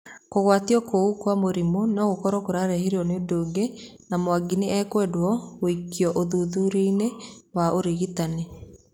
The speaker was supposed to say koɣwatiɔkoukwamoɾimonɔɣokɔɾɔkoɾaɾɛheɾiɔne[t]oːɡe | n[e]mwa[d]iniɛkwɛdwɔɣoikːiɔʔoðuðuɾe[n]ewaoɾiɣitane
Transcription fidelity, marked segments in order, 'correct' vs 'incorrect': incorrect, incorrect, incorrect, correct

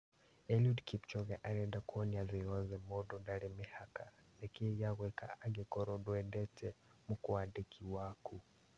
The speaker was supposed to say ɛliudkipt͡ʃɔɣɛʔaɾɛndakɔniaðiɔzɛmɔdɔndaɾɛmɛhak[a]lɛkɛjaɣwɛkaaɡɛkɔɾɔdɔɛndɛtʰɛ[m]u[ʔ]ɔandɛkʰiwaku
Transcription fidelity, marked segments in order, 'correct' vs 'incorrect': correct, correct, incorrect

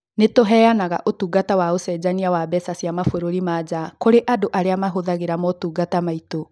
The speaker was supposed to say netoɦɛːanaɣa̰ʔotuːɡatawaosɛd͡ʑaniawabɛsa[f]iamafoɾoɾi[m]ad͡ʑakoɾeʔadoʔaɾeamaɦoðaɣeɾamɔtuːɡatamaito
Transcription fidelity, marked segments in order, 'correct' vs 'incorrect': incorrect, correct

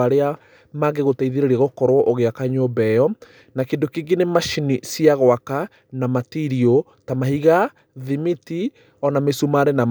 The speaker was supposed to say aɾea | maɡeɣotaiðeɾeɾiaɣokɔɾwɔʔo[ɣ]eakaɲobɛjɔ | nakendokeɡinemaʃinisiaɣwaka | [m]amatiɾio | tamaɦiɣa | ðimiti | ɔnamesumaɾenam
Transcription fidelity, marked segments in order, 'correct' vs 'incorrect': correct, incorrect

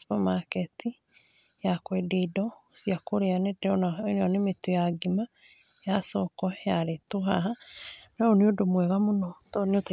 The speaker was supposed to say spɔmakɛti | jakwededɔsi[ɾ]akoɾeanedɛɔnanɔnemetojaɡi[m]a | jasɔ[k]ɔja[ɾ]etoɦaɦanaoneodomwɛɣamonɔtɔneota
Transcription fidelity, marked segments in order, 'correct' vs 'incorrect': incorrect, correct, correct, correct

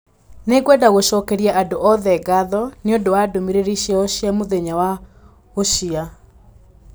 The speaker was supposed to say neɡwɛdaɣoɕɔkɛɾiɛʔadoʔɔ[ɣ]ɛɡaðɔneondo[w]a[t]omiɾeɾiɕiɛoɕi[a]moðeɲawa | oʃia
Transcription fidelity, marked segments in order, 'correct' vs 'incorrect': incorrect, correct, incorrect, correct

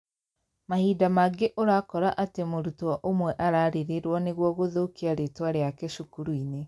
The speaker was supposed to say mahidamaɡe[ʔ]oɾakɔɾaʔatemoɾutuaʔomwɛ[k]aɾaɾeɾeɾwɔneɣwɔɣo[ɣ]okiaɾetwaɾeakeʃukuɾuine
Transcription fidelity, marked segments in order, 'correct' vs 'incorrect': correct, incorrect, incorrect

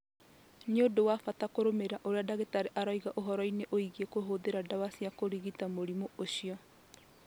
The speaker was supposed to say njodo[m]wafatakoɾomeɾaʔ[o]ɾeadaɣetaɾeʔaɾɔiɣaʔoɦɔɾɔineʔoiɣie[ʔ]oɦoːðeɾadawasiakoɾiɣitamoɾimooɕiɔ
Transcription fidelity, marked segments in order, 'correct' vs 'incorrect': incorrect, correct, incorrect

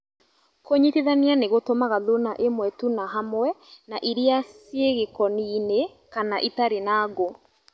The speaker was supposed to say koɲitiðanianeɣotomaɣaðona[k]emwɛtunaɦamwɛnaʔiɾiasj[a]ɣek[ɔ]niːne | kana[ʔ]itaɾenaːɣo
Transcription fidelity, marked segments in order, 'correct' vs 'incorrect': incorrect, incorrect, correct, correct

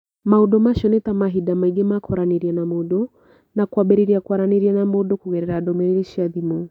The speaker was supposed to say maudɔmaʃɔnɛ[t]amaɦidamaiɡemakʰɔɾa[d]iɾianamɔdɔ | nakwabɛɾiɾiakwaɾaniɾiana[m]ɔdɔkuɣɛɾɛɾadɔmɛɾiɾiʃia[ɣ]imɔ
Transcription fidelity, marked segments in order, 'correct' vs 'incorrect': correct, incorrect, correct, incorrect

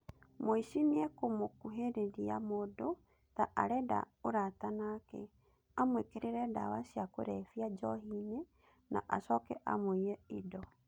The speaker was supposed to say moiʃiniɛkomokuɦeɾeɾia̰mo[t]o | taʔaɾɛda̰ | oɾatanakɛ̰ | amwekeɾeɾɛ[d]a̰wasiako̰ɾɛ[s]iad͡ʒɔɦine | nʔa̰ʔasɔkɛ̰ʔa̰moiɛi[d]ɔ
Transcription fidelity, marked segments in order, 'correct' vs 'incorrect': incorrect, correct, incorrect, correct

